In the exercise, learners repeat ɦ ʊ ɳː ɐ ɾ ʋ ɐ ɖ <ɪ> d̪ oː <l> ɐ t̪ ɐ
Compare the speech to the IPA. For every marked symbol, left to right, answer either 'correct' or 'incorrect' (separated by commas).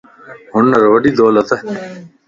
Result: incorrect, correct